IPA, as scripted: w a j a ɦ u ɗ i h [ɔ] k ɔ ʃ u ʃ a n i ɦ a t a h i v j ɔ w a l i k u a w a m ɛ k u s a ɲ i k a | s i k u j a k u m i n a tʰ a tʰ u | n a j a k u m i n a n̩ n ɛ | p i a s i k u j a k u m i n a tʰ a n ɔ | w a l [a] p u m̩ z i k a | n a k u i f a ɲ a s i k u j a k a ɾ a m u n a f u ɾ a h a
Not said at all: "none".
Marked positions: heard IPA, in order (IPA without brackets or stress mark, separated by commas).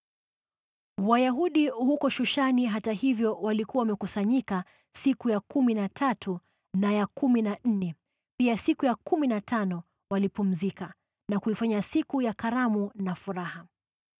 u, i